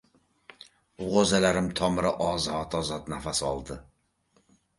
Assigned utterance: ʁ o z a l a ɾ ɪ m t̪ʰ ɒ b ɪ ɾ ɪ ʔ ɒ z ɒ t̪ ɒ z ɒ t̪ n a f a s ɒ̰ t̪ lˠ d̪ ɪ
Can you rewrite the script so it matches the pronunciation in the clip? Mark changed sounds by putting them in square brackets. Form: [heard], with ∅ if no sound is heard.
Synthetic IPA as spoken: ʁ o z a l a ɾ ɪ m t̪ʰ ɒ [m] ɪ ɾ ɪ ʔ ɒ z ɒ t̪ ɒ z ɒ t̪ n a f a s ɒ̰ [∅] lˠ d̪ ɪ